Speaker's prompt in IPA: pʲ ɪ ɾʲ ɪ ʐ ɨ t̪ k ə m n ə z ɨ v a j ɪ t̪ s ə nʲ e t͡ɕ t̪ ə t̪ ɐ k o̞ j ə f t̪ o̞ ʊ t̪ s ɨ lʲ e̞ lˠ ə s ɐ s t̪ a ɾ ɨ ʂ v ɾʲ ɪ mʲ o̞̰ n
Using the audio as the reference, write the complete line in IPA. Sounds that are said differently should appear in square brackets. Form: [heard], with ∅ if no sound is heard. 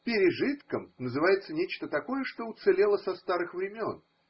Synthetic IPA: pʲ ɪ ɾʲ ɪ ʐ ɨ t̪ k ə m n ə z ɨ v a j ɪ t̪ s ə nʲ e t͡ɕ t̪ ə t̪ ɐ k o̞ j ə [ʂ] t̪ o̞ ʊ t̪ s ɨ lʲ e̞ lˠ ə s ɐ s t̪ a ɾ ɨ [x] v ɾʲ ɪ mʲ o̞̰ n

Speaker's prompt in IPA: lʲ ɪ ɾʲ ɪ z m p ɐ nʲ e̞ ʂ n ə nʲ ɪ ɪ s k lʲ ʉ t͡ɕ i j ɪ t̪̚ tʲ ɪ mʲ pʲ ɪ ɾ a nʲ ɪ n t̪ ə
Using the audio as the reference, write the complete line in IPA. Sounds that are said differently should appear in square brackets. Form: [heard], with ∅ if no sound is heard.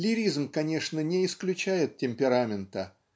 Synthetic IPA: lʲ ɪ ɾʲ [i] z m [k] ɐ nʲ e̞ ʂ n ə nʲ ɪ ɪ s k lʲ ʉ t͡ɕ [æ] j ɪ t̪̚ tʲ ɪ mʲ pʲ ɪ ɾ a [mʲ] ɪ n t̪ ə

